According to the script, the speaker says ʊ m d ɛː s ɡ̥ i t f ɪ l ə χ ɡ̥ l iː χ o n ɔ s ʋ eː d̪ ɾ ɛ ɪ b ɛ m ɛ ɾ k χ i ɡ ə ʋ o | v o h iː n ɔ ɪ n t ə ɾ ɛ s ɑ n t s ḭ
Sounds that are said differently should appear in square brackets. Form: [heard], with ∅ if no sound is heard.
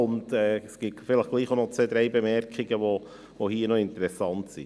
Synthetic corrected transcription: ʊ [n] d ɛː s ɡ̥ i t f ɪ l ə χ ɡ̥ l iː χ o n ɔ [t͡s] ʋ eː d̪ ɾ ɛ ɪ b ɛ m ɛ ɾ k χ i ɡ ə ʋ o | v o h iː n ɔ ɪ n t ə ɾ ɛ s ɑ n t s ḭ